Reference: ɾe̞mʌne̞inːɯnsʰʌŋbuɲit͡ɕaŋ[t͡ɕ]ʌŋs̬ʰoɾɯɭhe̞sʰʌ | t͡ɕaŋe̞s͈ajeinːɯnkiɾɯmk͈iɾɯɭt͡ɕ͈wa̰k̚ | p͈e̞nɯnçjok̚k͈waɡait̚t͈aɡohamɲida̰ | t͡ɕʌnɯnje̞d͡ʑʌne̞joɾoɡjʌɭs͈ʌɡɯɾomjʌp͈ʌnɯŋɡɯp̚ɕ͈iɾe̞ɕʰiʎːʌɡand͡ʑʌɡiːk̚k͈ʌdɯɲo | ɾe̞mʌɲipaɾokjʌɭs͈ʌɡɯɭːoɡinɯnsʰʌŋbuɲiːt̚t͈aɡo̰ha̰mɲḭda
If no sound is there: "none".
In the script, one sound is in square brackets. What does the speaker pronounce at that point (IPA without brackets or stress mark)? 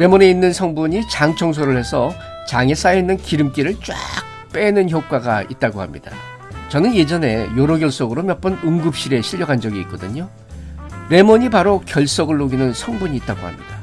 t͡ɕʰ